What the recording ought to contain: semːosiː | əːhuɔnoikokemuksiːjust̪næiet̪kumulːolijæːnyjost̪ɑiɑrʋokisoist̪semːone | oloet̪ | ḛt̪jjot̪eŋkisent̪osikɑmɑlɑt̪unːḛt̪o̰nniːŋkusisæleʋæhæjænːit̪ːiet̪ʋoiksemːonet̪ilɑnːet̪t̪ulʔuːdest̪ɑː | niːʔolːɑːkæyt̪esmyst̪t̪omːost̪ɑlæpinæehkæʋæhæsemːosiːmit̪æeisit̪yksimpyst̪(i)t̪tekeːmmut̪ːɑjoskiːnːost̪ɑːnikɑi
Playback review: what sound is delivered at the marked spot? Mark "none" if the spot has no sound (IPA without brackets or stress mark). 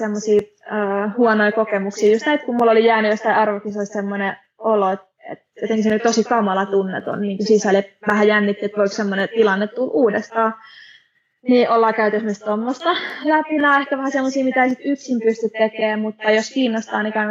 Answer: y